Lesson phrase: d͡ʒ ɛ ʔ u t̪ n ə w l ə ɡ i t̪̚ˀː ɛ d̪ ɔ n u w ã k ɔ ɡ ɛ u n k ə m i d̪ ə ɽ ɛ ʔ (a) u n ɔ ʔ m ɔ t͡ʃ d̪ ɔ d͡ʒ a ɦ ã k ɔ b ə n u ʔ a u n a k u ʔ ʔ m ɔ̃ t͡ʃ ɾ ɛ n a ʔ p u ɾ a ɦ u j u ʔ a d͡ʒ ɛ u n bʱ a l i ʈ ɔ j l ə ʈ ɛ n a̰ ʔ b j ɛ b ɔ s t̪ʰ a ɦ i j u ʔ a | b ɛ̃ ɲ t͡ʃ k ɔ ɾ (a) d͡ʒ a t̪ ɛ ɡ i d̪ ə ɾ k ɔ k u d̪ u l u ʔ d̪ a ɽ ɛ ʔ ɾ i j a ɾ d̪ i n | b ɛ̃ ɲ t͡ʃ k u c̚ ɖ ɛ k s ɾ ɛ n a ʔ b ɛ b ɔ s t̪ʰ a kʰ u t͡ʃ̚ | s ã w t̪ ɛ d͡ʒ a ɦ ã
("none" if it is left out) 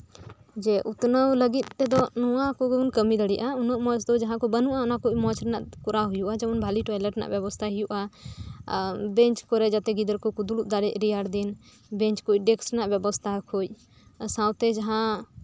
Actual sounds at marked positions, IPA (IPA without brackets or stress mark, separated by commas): a, ɛ